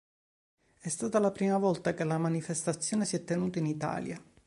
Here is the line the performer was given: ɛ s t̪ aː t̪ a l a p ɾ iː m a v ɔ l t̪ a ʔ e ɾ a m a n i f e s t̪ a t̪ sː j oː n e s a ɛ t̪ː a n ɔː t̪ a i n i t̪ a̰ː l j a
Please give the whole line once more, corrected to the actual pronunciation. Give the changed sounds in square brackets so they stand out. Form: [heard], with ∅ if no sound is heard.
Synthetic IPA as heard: ɛ s t̪ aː t̪ a l a p ɾ iː m a v ɔ l t̪ a [k] e [l] a m a n i f e s t̪ a t̪ sː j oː n e s [i] ɛ t̪ː [e] n [uː] t̪ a i n i t̪ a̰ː l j a